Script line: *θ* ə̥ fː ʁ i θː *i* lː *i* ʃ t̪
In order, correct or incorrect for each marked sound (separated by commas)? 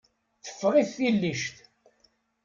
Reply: correct, correct, correct